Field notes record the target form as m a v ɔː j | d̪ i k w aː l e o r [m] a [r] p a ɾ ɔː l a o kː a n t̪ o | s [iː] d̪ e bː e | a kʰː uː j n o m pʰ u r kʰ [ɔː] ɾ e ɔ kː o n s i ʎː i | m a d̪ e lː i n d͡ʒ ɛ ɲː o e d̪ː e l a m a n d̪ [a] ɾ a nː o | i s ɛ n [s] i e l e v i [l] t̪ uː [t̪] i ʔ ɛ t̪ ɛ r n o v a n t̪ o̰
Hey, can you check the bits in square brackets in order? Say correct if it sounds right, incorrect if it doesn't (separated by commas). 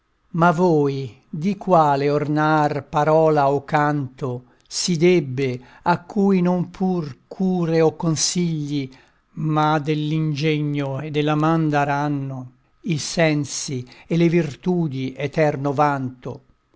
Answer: incorrect, correct, incorrect, incorrect, correct, correct, incorrect, incorrect